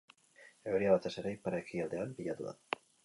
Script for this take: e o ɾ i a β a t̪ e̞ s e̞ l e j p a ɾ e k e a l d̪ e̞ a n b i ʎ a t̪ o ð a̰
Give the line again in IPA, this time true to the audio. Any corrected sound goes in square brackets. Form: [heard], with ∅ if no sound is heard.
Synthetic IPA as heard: e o ɾ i a β a t̪ e̞ s e̞ [ɾ] e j p a ɾ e k [i] a l d̪ e̞ a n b i ʎ a t̪ [u] ð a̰